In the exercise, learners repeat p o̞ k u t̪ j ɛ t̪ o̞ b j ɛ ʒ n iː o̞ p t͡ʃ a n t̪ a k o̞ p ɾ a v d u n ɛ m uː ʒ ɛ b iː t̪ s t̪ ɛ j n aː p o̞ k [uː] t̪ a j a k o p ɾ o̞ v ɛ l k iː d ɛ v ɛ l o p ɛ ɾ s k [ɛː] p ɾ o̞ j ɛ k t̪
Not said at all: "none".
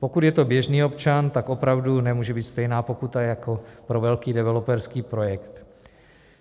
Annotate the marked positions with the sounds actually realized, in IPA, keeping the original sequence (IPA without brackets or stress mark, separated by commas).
u, iː